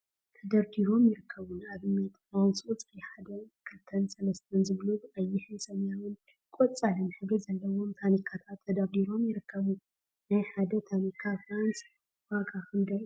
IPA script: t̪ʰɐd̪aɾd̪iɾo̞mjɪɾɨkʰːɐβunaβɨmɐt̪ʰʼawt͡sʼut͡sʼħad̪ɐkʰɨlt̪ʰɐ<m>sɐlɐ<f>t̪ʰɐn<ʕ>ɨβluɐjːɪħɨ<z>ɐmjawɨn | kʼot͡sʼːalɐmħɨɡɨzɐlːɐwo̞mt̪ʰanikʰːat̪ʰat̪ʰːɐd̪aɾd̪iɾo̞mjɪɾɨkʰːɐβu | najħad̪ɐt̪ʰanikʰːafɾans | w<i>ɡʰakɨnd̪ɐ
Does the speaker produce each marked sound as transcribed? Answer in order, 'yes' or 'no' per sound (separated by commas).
no, no, no, no, no